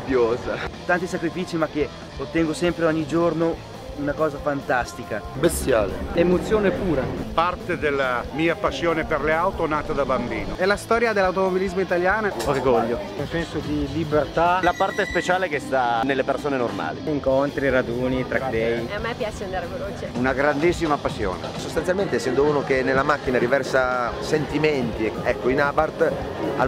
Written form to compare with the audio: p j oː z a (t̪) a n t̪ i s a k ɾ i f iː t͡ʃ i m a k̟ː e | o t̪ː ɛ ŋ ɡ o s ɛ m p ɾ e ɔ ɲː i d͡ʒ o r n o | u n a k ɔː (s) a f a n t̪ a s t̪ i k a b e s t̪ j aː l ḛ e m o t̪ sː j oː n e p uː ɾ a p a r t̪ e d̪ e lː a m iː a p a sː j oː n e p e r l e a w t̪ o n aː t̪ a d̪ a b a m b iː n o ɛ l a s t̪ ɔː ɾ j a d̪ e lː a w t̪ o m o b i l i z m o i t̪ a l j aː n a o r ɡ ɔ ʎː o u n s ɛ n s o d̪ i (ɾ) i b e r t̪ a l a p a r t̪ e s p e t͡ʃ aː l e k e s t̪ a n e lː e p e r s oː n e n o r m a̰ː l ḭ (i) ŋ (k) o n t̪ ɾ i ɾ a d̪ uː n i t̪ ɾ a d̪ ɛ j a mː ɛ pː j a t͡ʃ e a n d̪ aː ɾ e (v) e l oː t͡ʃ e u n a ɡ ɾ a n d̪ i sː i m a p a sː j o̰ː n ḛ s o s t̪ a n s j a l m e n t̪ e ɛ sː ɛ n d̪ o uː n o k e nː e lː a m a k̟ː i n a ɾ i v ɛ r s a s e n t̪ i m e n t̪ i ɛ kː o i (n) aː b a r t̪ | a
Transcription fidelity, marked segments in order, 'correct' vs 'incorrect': correct, incorrect: z, incorrect: l, correct, correct, correct, correct

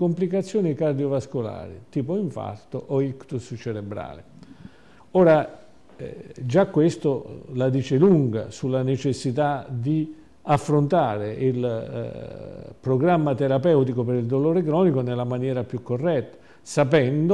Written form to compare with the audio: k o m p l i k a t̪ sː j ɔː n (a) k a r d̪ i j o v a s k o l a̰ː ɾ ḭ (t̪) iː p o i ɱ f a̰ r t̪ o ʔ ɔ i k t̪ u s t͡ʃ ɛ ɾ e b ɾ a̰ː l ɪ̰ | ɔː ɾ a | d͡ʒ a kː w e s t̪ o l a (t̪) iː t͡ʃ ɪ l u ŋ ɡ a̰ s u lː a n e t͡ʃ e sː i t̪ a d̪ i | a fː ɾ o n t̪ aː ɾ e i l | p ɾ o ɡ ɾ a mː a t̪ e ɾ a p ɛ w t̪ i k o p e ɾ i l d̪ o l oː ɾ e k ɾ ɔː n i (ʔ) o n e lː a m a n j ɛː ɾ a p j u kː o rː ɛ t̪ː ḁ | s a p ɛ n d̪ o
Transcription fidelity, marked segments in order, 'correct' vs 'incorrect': incorrect: i, correct, incorrect: d̪, incorrect: k

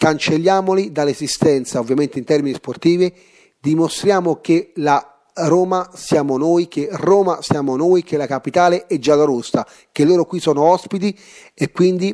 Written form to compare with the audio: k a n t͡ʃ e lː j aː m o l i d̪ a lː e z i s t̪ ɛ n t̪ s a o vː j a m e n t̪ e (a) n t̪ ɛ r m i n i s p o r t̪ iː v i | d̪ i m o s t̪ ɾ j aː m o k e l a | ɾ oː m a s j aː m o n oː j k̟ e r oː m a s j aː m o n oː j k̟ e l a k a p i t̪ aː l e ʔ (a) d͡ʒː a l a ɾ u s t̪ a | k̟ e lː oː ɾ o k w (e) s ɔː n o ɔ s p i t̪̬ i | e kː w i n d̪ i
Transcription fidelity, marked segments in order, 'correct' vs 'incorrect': incorrect: i, incorrect: ɛ, incorrect: i

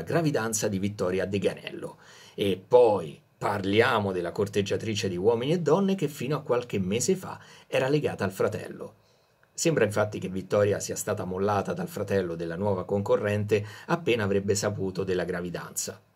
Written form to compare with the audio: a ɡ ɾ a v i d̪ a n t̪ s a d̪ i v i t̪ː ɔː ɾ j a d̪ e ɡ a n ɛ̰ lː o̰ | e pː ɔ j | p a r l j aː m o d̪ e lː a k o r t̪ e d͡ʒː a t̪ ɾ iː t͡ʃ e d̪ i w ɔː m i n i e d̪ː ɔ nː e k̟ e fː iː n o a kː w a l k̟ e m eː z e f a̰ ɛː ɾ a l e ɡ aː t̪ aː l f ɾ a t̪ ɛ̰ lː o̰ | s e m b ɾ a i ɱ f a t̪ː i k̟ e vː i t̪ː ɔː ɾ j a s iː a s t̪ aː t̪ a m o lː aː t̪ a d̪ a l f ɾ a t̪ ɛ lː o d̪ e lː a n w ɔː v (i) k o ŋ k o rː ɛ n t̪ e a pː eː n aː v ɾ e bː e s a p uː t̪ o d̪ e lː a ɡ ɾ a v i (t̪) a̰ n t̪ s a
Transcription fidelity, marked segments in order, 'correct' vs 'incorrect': incorrect: a, incorrect: d̪

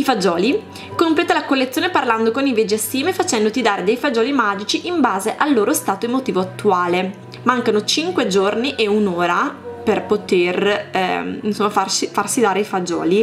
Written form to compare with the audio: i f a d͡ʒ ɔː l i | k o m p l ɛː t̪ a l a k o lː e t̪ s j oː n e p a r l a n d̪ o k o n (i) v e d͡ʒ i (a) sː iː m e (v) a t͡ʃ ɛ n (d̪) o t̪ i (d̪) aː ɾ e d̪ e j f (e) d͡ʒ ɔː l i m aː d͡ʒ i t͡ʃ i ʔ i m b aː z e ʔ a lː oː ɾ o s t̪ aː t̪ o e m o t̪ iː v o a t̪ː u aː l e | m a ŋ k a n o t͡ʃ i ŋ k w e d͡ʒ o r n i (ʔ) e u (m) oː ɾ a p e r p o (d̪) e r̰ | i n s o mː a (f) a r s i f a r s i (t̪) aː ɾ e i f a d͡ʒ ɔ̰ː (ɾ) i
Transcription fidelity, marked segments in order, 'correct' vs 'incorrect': correct, correct, incorrect: f, correct, correct, incorrect: a, correct, incorrect: n, incorrect: t̪, correct, incorrect: d̪, incorrect: l

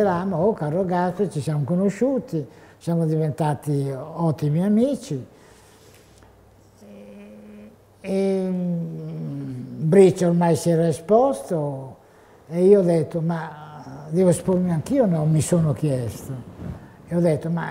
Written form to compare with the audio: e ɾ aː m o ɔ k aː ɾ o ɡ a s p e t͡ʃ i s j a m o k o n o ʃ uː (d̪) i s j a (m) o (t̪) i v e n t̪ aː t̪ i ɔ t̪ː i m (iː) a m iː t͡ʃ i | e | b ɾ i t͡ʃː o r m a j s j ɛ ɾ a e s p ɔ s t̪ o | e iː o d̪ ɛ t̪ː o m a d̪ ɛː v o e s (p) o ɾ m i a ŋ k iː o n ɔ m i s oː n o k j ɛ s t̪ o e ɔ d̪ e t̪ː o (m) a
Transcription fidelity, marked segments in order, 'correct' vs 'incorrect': incorrect: t̪, correct, incorrect: d̪, incorrect: i, correct, correct

